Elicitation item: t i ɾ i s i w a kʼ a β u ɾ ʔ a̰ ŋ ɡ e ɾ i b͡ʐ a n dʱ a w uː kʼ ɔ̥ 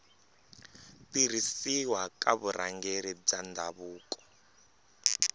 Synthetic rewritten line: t i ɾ i s i w a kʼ a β u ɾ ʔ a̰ ŋ ɡ e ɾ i b͡ʐ a n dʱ a β uː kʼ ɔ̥